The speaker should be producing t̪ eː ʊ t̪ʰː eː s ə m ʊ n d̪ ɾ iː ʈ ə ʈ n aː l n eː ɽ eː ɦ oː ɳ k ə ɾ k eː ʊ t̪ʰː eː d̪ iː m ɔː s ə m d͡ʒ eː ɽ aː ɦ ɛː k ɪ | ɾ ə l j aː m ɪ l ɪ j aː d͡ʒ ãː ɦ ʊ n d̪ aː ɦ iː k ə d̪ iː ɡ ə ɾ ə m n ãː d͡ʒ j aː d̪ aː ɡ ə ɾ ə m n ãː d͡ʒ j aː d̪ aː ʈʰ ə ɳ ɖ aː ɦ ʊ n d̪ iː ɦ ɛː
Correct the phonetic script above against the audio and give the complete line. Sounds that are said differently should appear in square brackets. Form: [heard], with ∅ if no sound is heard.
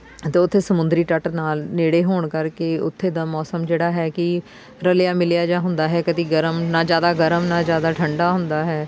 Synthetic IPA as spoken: t̪ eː ʊ t̪ʰː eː s ə m ʊ n d̪ ɾ iː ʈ ə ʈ n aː l n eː ɽ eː ɦ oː ɳ k ə ɾ k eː ʊ t̪ʰː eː d̪ [aː] m ɔː s ə m d͡ʒ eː ɽ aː ɦ ɛː k ɪ | ɾ ə l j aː m ɪ l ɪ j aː d͡ʒ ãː ɦ ʊ n d̪ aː ɦ [ɛː] k ə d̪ iː ɡ ə ɾ ə m n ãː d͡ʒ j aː d̪ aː ɡ ə ɾ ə m n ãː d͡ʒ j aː d̪ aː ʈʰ ə ɳ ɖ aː ɦ ʊ n d̪ [aː] ɦ ɛː